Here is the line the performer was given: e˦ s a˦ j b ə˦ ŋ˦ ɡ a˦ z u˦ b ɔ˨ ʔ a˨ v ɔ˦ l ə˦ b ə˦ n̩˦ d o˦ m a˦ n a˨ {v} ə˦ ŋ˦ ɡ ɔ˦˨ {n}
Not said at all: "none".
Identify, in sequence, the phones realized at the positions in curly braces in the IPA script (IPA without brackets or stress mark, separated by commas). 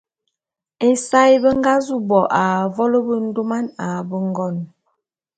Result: b, n